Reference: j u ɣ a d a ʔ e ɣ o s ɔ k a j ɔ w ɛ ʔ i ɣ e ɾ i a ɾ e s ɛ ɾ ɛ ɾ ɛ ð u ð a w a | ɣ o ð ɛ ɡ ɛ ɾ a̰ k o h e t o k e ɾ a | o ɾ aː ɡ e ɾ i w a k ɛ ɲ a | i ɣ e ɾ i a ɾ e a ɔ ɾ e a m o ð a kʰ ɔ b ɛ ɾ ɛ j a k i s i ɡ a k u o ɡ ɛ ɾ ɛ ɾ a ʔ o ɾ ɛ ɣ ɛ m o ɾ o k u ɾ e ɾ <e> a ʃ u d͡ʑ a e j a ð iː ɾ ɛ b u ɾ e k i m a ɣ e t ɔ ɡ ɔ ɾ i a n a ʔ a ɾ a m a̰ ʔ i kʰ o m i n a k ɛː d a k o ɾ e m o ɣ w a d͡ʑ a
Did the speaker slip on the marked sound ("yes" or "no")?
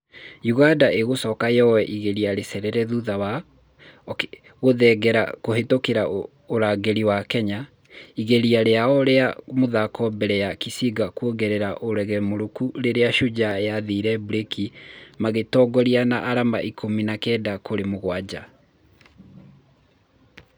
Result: no